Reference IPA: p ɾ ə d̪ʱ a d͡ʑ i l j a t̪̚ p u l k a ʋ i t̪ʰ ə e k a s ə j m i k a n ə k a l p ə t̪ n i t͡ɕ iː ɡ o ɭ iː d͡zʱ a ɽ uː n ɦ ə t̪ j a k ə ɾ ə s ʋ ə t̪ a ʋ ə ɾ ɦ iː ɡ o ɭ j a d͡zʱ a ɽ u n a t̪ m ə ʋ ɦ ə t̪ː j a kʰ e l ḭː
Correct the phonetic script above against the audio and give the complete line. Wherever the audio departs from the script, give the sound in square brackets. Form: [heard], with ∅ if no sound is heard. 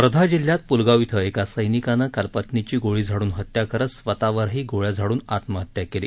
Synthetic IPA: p ɾ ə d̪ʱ a d͡ʑ i l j a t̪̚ p u l [ɡ] a ʋ i t̪ʰ ə e k a s ə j [n] i k a n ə k a l p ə t̪ n i t͡ɕ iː ɡ o ɭ iː d͡zʱ a ɽ uː n ɦ ə t̪ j a k ə ɾ ə s ʋ ə t̪ a ʋ ə ɾ ɦ iː ɡ o ɭ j a d͡zʱ a ɽ [uː] n a t̪ m ə [∅] ɦ ə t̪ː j a [k] e l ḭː